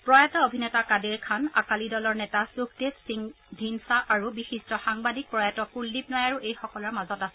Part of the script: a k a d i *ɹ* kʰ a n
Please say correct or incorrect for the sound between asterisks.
correct